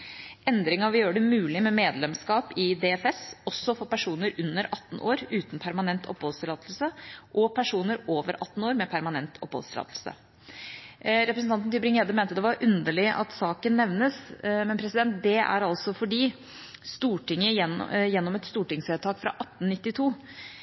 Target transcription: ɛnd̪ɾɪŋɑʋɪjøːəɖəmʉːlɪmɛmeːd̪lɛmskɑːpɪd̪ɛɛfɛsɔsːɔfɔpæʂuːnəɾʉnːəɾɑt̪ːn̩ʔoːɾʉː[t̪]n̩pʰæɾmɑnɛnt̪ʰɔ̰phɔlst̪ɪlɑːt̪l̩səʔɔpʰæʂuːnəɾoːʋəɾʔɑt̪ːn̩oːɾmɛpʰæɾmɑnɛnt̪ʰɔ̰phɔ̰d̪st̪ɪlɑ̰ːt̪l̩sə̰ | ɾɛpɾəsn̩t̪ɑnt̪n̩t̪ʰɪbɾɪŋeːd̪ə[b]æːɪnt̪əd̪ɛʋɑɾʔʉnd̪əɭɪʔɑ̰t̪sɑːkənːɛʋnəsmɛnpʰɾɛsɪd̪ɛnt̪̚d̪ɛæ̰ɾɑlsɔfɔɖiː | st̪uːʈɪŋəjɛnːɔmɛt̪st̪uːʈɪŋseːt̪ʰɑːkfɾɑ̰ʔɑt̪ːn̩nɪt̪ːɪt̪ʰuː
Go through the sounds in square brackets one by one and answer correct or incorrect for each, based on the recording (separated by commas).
correct, incorrect